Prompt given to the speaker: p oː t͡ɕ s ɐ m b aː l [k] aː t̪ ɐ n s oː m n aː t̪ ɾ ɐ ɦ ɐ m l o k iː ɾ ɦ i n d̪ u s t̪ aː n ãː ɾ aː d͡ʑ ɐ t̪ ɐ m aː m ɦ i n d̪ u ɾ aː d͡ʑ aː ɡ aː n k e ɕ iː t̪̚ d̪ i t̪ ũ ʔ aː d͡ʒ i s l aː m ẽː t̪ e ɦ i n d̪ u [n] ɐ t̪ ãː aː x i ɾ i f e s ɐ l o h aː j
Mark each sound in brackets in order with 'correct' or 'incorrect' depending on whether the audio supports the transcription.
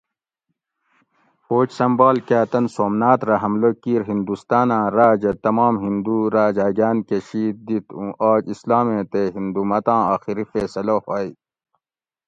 correct, incorrect

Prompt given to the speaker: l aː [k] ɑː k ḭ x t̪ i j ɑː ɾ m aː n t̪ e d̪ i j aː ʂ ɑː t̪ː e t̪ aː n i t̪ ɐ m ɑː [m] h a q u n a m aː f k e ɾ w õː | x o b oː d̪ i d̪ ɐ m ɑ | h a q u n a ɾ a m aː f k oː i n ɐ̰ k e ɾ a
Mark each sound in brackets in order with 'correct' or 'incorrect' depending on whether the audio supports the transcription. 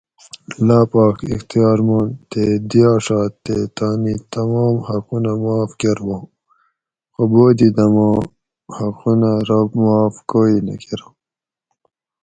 incorrect, correct

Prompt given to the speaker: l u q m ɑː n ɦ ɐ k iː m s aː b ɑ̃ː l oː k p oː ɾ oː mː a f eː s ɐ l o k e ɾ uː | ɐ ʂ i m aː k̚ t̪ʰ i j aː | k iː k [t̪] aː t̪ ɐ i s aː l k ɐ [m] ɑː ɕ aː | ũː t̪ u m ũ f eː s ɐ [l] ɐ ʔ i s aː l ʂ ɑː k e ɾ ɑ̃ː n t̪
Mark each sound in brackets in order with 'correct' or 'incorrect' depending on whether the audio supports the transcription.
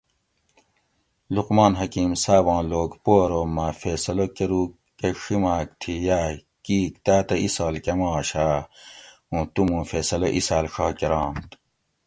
correct, correct, correct

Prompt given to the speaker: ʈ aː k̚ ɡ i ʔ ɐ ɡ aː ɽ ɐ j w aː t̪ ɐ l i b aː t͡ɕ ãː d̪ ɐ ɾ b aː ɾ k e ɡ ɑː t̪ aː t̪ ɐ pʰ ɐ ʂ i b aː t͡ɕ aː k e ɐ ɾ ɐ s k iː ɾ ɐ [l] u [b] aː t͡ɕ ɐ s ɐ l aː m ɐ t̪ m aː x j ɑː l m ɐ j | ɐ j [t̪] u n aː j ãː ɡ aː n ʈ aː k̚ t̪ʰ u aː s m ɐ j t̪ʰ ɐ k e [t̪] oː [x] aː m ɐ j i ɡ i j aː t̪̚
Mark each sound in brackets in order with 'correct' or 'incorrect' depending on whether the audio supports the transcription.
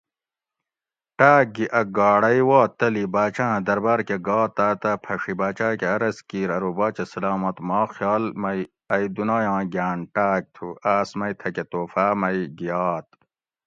incorrect, correct, incorrect, correct, incorrect

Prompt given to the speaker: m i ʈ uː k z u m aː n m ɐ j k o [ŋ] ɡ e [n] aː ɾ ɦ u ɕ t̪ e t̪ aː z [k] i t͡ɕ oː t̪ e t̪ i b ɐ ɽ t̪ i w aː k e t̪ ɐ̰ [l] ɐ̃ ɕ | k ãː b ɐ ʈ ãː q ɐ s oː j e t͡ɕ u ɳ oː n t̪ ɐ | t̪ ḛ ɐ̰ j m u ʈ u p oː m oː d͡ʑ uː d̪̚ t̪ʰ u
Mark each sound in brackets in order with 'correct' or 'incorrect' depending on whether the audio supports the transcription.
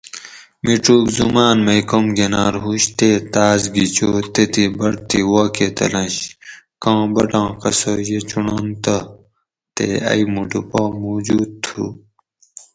incorrect, correct, incorrect, correct

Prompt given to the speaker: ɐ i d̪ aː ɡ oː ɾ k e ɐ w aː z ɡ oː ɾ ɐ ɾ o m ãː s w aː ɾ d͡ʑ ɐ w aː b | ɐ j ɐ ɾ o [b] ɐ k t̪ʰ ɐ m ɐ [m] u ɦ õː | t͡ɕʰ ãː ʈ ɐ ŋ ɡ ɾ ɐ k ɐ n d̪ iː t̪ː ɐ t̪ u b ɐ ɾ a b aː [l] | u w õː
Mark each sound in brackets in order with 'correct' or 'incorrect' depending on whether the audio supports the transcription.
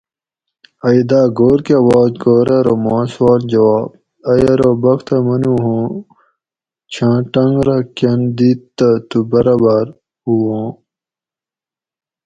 correct, incorrect, incorrect

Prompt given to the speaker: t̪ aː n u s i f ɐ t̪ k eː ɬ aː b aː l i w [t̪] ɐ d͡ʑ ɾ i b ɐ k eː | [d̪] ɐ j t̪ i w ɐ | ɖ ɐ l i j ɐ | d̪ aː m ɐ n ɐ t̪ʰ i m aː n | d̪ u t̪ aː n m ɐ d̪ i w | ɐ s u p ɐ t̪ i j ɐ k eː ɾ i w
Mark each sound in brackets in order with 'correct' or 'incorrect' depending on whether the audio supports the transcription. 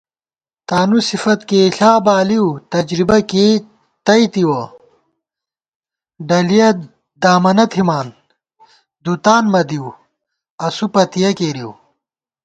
correct, incorrect

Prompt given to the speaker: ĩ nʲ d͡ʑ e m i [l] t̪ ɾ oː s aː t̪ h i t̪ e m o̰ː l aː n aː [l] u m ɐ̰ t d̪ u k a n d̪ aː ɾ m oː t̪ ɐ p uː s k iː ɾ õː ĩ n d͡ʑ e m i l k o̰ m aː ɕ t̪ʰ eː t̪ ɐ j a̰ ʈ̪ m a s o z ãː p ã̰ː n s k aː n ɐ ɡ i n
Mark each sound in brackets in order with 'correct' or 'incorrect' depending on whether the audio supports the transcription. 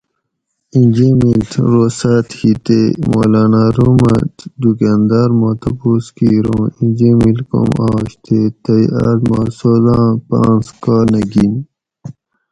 correct, incorrect

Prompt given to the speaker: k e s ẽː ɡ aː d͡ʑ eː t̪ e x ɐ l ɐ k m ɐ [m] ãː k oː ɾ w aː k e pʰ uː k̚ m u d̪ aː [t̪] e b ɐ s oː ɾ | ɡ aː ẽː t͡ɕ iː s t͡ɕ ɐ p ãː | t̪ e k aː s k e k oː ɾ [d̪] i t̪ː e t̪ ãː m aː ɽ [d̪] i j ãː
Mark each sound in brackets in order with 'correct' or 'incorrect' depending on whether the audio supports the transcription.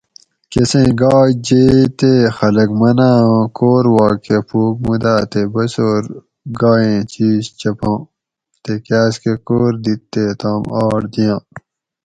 incorrect, correct, correct, correct

